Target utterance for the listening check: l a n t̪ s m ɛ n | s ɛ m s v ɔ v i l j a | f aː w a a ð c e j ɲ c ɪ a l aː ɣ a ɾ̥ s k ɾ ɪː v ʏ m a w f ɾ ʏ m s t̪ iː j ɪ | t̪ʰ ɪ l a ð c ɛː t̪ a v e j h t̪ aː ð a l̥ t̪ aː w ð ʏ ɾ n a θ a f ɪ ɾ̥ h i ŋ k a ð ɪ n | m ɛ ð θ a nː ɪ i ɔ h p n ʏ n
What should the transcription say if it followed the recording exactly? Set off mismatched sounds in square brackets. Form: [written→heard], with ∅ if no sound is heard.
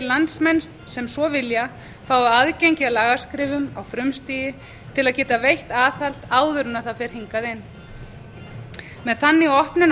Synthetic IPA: l a n t̪ s m ɛ n | s ɛ m s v ɔ v [i→ɪ] l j a | f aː w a a ð c e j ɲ c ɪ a l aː ɣ a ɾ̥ s k ɾ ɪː v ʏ m a w f ɾ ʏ m s t̪ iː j ɪ | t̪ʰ ɪ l a ð c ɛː t̪ a v e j h t̪ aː [ð→θ] a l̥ t̪ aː w ð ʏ ɾ n a θ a f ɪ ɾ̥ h i ŋ k a ð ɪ n | m ɛ ð θ a nː ɪ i ɔ h p n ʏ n